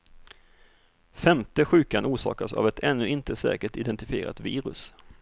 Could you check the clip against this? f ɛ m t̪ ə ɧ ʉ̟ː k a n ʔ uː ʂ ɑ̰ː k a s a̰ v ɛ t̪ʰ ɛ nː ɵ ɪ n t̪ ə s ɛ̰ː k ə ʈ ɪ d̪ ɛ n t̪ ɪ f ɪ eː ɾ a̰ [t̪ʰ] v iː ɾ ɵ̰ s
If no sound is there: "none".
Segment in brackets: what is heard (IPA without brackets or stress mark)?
t̪